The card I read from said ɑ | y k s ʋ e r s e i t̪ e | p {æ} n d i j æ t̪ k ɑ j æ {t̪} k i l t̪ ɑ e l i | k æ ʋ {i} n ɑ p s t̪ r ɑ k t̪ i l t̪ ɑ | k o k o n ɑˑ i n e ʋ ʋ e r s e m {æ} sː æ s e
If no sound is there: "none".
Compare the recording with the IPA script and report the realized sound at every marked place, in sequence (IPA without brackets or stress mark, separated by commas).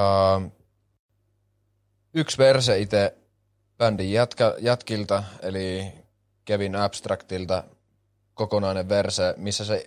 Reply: æ, t̪, i, i